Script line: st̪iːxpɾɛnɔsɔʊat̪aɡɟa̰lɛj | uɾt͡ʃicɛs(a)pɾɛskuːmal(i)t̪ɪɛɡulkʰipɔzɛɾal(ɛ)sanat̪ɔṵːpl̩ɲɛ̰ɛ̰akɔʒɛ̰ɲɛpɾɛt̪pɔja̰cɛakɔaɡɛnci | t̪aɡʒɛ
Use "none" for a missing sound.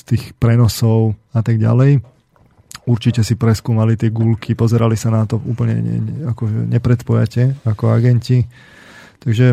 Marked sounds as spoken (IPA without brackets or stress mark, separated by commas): i, i, i